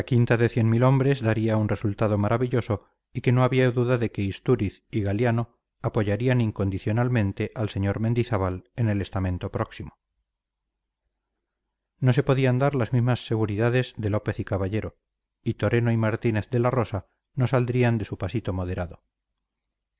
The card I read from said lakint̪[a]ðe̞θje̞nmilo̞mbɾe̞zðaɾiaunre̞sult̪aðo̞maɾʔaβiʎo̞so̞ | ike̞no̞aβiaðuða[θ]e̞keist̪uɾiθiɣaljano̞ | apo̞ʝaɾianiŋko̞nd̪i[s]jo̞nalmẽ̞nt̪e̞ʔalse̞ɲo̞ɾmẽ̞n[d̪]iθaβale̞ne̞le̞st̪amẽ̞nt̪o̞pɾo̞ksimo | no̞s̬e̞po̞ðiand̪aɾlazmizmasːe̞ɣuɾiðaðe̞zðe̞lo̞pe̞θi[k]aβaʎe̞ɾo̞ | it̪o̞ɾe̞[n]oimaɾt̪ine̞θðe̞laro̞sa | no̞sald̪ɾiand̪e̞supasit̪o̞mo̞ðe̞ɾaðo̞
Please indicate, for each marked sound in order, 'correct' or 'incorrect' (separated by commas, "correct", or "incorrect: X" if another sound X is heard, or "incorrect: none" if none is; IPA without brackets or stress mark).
correct, incorrect: ð, incorrect: θ, correct, correct, correct